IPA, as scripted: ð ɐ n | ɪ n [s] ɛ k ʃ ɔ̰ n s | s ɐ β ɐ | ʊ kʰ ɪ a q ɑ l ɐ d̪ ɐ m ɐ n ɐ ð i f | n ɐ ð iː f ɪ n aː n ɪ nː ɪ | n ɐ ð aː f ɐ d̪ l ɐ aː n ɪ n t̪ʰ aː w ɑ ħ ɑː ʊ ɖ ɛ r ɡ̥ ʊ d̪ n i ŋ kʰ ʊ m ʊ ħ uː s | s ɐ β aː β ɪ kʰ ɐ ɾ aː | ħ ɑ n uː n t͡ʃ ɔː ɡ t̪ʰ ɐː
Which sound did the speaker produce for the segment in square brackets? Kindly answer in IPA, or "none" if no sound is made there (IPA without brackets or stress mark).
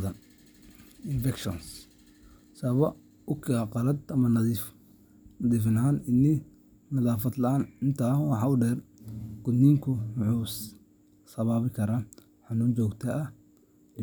f